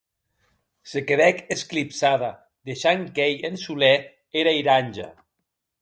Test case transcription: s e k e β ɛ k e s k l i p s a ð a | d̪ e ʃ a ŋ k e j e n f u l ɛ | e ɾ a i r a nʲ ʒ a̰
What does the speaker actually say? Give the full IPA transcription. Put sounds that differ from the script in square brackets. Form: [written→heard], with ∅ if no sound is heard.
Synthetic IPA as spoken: s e k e β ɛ k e s k l i p s a ð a | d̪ e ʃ a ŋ k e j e n [f→s] u l ɛ | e ɾ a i [r→ɾ] a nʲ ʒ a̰